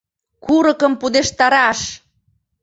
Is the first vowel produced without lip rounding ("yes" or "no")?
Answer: no